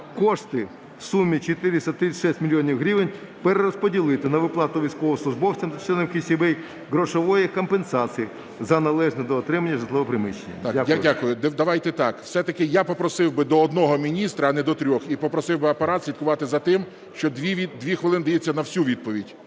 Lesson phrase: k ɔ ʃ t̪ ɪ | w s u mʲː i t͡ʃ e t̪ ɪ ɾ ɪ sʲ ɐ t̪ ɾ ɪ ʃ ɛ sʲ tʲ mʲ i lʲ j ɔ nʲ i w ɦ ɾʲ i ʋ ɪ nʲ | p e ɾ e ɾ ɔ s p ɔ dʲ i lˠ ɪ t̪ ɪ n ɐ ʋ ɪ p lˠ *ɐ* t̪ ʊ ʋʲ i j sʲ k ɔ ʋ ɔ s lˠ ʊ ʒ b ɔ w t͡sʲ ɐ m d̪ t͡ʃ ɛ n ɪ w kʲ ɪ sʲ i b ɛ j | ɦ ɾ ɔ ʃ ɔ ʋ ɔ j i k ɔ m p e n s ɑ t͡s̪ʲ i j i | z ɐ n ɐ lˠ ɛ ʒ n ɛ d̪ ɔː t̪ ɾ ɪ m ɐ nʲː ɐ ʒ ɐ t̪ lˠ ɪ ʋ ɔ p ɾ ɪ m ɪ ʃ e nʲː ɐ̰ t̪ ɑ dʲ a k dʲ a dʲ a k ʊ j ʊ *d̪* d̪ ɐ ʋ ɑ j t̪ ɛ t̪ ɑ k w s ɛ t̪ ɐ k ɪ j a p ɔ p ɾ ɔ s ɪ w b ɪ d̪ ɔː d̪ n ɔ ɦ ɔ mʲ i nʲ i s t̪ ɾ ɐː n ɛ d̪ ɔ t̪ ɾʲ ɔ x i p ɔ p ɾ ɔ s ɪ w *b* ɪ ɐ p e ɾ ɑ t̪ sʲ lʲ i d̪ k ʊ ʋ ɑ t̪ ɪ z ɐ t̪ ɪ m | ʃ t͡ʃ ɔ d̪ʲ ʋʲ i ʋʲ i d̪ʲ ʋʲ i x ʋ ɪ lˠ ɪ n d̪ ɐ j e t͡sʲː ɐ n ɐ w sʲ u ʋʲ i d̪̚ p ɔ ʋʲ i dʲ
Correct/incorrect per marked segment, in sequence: incorrect: ɑ, correct, correct

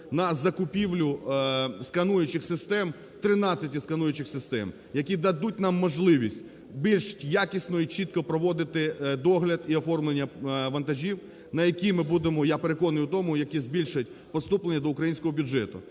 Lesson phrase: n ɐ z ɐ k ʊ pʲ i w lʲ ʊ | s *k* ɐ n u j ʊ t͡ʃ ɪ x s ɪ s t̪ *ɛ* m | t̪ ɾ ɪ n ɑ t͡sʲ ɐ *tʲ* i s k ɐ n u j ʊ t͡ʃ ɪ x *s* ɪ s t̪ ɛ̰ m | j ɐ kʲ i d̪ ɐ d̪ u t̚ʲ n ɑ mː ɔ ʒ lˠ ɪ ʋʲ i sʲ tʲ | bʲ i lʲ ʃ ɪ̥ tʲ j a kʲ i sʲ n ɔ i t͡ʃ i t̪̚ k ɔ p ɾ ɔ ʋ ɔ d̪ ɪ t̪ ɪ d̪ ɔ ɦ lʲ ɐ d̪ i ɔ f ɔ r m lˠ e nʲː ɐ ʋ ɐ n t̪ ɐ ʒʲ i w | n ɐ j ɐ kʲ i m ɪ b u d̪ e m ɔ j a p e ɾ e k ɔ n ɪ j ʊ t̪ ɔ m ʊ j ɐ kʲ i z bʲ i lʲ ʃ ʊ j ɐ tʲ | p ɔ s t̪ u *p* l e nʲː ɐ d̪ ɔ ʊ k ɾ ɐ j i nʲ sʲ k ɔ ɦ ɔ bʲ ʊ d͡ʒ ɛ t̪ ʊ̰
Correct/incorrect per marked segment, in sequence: correct, correct, correct, correct, correct

